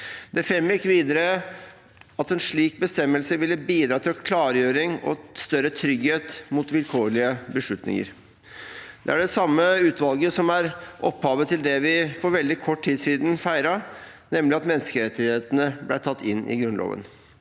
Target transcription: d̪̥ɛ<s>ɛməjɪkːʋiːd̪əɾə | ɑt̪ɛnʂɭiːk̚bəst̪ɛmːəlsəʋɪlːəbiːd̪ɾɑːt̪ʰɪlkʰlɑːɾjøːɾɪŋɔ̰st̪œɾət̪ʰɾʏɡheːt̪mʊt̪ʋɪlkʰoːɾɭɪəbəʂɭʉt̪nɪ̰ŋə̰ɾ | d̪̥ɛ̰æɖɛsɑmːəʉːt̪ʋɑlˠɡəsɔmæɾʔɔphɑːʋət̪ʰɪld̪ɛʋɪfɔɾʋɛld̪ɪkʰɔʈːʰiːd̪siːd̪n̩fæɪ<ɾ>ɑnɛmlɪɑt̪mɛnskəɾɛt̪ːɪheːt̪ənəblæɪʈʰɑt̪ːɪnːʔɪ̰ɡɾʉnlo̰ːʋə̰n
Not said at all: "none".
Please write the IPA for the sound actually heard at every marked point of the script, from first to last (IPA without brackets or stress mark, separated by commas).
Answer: f, ɾ